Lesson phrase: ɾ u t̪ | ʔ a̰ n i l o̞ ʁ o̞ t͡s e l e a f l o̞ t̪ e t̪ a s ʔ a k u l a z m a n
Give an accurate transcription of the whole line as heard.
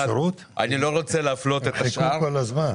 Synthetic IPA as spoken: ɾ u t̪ | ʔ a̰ n i l o̞ ʁ o̞ t͡s e l e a f l o̞ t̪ e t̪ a ʃ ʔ a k o l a z m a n